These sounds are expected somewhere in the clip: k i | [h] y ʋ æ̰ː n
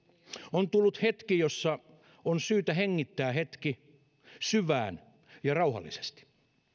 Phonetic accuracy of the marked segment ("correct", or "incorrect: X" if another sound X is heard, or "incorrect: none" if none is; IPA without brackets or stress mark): incorrect: s